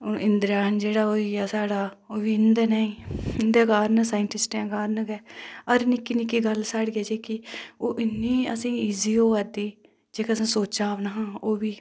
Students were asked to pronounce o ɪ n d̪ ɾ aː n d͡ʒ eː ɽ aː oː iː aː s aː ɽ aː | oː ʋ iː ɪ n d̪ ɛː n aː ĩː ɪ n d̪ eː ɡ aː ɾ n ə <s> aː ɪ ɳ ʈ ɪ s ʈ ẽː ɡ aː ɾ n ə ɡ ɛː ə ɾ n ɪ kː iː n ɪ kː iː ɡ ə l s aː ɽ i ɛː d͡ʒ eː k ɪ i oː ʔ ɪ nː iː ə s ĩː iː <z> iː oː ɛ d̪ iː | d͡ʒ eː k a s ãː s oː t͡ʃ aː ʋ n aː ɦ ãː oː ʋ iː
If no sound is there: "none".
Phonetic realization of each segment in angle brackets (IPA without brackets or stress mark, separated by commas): s, z